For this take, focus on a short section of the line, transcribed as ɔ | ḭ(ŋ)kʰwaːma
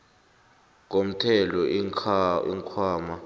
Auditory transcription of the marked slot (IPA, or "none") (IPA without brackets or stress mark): ŋ